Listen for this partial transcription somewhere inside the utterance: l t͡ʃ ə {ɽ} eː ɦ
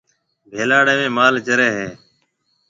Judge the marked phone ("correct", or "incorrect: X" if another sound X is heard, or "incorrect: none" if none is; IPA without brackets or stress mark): incorrect: ɾ